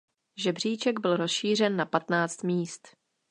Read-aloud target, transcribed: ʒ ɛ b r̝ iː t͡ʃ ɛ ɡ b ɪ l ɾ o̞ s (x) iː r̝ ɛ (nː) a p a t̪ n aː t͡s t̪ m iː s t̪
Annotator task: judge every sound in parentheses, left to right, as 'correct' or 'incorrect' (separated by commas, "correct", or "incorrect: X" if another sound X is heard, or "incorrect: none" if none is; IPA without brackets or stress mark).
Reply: incorrect: ʃ, correct